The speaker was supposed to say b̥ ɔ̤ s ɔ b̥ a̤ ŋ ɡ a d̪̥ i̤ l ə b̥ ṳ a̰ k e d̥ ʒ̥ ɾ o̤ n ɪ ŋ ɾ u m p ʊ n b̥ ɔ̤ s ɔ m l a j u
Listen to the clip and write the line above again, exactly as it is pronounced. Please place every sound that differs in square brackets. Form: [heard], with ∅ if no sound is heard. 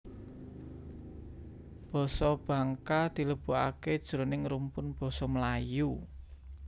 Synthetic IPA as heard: b̥ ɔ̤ s ɔ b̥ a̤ ŋ [k] a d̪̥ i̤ l ə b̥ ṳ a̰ k e d̥ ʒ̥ ɾ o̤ n ɪ ŋ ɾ u m p ʊ n b̥ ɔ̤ s ɔ m l a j u